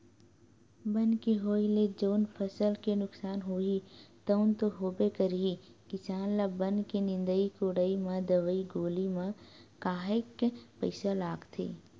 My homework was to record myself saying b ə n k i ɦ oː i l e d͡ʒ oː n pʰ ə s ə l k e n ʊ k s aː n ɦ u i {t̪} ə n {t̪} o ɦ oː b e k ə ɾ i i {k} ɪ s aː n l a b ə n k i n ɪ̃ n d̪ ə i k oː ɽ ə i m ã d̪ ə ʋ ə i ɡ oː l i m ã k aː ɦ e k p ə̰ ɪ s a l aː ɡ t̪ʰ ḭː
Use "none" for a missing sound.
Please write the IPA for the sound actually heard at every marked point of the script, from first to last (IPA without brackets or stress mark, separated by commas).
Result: t̪, t̪, k